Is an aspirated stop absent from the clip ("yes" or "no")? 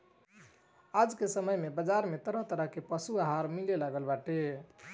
yes